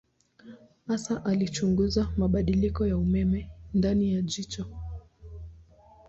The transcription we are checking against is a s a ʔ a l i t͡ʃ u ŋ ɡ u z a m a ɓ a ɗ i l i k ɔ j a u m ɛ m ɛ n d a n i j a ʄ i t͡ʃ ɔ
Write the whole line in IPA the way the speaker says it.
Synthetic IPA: a s a ʔ a l i t͡ʃ u ŋ ɡ u z a m a ɓ a ɗ i l i k ɔ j a u m ɛ m ɛ n d a n i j a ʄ i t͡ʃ ɔ